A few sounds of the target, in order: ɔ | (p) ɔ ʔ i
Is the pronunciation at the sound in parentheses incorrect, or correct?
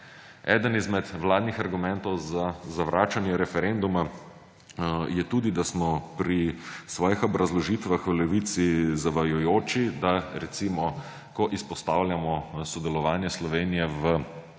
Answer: incorrect